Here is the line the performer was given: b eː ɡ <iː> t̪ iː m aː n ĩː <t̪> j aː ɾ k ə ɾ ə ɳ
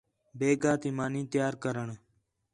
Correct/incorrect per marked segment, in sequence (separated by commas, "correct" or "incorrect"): incorrect, correct